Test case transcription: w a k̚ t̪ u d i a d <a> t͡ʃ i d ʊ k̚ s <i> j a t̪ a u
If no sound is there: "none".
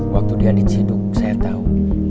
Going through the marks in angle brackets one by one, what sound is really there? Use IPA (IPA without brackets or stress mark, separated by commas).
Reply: i, a